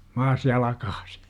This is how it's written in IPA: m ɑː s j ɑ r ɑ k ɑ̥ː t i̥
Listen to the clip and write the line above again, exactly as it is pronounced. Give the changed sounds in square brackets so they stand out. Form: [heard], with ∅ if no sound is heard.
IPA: m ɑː s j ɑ [l] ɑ k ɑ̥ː [s] i̥